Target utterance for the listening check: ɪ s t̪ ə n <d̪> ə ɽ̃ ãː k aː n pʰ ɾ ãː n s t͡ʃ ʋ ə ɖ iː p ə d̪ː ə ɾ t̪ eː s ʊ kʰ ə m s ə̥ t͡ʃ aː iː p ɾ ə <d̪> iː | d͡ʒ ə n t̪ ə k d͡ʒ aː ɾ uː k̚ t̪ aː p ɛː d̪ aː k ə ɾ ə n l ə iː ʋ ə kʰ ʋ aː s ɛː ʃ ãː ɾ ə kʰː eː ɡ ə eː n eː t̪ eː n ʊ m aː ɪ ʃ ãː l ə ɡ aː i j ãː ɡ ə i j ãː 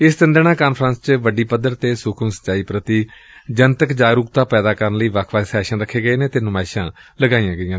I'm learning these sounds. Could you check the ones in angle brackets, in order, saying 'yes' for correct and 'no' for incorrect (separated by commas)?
yes, no